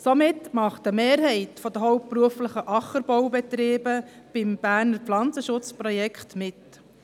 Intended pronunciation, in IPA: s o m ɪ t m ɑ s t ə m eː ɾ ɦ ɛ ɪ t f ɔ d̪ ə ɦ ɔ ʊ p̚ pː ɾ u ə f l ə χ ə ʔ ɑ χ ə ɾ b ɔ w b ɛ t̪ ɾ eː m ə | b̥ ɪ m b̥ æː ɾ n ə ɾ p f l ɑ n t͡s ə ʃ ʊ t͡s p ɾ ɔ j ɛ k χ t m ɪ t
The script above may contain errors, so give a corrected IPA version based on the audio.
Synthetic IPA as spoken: s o m ɪ t m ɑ χ t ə m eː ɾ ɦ ɛ ɪ t f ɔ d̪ ə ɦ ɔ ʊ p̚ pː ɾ u ə f l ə χ ə ʔ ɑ χ ə ɾ b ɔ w b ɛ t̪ ɾ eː b ə | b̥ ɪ m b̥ æː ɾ n ə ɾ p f l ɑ n t͡s ə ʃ ʊ t͡s p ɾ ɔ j ɛ k χ t m ɪ t